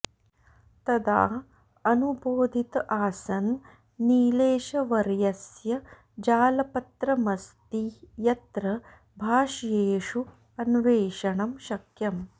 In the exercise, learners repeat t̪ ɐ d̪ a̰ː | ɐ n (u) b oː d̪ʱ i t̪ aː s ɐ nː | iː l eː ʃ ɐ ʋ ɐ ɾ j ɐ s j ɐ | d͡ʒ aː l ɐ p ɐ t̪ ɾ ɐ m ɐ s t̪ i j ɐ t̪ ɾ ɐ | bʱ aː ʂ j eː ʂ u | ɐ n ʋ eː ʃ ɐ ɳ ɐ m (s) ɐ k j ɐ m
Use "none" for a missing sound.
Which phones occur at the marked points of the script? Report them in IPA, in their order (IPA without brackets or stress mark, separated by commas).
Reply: u, ʃ